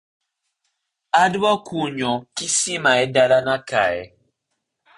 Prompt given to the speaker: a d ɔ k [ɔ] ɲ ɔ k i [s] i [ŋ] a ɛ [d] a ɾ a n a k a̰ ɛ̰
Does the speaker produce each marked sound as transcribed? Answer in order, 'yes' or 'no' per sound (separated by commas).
no, yes, no, yes